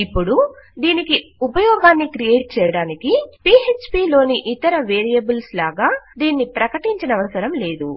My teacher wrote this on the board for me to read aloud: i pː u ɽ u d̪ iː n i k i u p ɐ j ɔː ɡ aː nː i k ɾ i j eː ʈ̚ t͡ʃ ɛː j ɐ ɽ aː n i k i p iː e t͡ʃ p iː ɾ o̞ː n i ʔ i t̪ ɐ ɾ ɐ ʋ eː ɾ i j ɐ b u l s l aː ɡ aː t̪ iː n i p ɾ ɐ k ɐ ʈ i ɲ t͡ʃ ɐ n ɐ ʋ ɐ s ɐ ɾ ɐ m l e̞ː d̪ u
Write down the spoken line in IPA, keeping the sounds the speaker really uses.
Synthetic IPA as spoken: i pː u ɽ u d̪ iː n i k i u p ɐ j ɔː ɡ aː nː i k ɾ i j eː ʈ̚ t͡ʃ ɛː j ɐ ɽ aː n i k i p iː e t͡ʃ p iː l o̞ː n i ʔ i t̪ ɐ ɾ ɐ ʋ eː ɾ i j ɐ b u l s l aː ɡ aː d̪ iː nː i p ɾ ɐ k ɐ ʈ i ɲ t͡ʃ ɐ n ɐ ʋ ɐ s ɐ ɾ ɐ m l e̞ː d̪ u